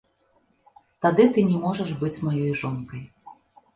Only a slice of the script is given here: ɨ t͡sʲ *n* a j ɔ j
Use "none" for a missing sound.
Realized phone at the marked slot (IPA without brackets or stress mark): m